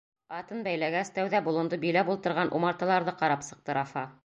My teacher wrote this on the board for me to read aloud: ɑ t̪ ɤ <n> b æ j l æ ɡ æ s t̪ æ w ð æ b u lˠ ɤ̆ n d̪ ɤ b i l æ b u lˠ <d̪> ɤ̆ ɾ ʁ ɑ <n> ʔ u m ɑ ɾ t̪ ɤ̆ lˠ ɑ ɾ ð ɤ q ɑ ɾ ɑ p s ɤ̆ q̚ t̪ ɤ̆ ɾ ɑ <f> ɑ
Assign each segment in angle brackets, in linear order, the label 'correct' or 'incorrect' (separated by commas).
correct, incorrect, correct, correct